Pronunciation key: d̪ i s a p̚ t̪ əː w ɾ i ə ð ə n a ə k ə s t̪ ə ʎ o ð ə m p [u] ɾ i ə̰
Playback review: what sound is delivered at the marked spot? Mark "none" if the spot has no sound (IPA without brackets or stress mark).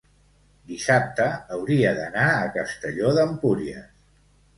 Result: u